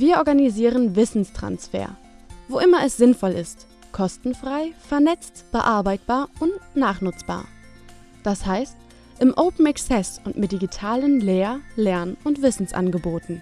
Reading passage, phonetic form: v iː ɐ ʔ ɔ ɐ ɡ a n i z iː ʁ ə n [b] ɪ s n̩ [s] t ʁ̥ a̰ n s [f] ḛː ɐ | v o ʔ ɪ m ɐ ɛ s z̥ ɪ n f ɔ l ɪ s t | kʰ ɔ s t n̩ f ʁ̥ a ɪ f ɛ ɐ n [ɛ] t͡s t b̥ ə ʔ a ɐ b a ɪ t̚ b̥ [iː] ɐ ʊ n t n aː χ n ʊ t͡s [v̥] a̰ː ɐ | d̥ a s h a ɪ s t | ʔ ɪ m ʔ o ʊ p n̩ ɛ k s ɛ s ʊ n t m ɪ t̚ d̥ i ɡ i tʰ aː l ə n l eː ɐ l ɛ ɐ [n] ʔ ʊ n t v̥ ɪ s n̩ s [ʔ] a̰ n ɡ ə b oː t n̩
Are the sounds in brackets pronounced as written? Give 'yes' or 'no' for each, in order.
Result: no, yes, yes, yes, no, no, yes, yes

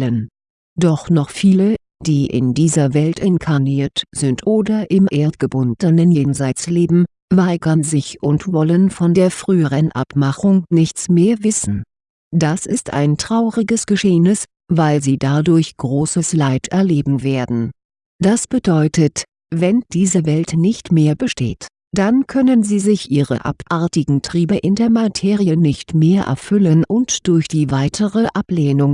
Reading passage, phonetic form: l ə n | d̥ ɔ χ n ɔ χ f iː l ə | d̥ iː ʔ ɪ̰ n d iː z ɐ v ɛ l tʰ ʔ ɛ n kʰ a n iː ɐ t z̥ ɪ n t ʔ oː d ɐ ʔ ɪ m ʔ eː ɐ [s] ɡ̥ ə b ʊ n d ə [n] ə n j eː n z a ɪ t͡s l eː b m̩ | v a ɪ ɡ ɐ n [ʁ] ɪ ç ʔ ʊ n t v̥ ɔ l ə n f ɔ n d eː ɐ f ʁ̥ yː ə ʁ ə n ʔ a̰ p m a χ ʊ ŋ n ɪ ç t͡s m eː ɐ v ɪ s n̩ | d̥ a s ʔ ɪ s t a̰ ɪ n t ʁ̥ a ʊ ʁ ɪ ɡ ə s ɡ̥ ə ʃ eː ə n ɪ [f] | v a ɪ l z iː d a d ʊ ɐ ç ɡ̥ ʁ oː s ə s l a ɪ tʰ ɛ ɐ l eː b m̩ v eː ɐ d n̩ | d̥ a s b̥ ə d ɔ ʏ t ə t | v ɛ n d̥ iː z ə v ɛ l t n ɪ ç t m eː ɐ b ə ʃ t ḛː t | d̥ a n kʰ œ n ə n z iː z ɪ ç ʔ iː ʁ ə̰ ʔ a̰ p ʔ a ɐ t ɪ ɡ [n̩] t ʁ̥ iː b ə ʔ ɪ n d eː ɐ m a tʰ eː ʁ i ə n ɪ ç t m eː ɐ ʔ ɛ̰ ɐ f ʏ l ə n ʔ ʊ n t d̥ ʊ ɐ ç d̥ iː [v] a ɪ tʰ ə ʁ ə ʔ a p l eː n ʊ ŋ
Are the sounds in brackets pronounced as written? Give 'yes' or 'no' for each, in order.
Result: no, yes, no, no, no, yes

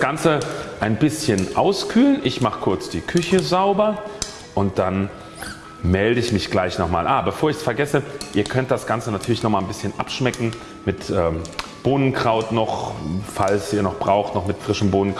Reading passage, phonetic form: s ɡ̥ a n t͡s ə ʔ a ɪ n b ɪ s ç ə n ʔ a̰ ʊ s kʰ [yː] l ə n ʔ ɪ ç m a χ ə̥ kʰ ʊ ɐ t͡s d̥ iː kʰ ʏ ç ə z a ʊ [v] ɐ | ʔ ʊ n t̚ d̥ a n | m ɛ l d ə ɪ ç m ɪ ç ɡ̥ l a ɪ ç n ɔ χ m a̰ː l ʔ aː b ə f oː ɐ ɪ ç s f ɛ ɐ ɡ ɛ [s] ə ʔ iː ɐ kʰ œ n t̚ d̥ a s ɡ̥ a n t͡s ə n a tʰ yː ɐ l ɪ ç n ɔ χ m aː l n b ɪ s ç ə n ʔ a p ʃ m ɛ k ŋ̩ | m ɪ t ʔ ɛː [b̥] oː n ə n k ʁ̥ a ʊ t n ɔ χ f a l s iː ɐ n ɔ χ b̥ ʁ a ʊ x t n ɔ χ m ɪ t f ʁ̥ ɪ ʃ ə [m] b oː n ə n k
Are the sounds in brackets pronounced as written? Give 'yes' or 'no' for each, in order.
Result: yes, no, yes, yes, yes

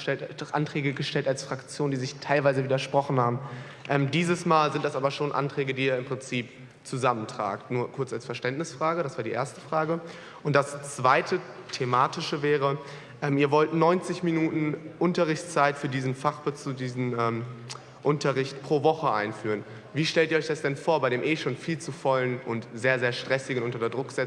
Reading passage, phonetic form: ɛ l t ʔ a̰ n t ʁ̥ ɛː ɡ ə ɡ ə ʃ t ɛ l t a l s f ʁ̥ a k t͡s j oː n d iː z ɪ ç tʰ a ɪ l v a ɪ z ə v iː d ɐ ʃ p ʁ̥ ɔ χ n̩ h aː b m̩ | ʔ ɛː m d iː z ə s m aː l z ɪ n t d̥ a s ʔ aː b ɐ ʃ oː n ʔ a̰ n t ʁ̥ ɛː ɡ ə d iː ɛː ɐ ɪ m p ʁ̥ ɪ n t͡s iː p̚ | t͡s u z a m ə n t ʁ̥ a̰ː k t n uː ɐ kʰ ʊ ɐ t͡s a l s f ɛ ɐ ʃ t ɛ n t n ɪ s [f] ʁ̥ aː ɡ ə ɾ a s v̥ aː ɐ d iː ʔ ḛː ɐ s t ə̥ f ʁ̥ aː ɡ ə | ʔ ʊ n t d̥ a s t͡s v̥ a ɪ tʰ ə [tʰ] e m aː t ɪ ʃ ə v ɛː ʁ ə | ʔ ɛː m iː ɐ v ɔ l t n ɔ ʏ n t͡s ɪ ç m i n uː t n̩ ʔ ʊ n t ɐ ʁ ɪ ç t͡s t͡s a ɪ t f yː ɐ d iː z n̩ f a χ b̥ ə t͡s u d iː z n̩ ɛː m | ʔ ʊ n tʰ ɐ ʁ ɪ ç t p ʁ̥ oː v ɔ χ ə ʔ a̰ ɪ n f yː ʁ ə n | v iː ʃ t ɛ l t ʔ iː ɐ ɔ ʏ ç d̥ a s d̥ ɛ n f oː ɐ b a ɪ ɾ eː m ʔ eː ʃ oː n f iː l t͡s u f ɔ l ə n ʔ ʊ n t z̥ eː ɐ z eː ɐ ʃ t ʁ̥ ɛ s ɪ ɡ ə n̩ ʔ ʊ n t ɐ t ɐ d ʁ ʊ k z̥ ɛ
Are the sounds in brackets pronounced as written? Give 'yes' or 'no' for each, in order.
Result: yes, yes

